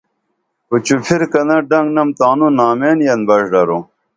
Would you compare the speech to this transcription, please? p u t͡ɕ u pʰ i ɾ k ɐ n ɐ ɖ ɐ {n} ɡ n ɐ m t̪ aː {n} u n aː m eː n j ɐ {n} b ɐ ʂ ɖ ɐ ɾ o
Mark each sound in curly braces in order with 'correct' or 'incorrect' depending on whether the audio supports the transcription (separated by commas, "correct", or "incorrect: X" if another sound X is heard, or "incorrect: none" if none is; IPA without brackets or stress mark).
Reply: incorrect: ŋ, correct, correct